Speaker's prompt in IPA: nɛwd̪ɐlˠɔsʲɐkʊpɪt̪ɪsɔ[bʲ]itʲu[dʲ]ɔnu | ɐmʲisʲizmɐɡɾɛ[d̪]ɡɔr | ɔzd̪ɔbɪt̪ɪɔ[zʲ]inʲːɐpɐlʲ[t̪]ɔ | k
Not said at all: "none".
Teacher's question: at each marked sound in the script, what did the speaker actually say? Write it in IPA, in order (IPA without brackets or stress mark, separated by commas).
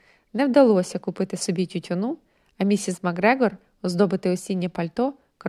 bʲ, tʲ, none, sʲ, t̪